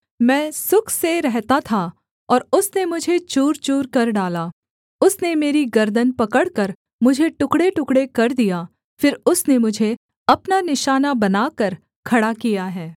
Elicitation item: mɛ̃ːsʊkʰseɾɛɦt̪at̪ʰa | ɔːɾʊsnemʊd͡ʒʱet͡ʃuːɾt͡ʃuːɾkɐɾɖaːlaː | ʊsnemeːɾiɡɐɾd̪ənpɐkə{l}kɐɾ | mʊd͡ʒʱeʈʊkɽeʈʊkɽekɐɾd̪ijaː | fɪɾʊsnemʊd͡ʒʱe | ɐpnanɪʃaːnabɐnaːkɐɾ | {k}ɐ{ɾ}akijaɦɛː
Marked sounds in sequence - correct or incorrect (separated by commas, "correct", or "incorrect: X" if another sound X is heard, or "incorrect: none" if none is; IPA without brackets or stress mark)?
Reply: incorrect: ɽ, incorrect: kʰ, incorrect: ɽ